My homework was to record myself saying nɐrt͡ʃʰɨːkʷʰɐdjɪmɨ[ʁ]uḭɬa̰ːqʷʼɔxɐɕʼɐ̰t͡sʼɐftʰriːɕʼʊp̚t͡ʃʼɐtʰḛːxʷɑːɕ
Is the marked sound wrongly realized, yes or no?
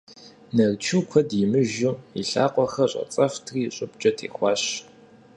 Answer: yes